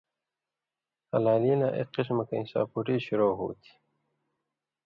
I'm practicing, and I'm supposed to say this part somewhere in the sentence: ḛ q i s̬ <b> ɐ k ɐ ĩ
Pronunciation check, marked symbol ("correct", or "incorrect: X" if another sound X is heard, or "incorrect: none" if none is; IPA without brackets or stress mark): incorrect: m